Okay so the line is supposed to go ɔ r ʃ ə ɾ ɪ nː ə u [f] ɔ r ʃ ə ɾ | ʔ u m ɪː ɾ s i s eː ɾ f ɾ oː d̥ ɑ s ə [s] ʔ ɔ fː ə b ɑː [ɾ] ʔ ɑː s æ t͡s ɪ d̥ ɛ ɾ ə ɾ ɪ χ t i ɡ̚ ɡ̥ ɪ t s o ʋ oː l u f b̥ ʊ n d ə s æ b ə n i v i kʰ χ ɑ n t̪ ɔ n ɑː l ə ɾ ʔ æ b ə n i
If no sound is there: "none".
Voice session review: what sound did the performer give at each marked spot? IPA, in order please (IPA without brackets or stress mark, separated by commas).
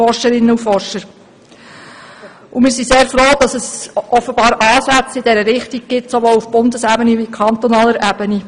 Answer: f, s, ɾ